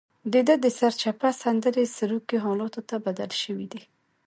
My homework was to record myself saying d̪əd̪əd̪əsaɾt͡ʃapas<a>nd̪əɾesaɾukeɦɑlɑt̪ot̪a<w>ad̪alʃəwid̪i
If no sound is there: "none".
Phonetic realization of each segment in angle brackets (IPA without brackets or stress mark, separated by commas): a, b